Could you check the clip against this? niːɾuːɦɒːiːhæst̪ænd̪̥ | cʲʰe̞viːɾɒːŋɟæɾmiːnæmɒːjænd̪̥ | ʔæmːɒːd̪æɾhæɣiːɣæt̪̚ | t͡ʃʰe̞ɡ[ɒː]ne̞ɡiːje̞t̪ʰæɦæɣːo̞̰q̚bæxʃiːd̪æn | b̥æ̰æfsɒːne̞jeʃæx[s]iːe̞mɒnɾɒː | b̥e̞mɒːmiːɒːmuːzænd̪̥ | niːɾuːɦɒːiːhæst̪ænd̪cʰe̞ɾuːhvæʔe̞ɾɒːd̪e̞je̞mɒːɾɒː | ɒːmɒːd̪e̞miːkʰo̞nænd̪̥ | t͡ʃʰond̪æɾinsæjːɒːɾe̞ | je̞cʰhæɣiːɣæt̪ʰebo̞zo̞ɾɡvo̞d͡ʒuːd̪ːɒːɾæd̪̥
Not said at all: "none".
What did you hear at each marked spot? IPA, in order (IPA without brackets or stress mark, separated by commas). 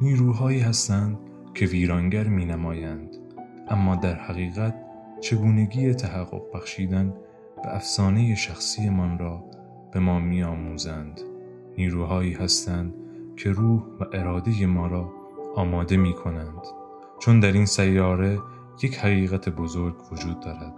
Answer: uː, s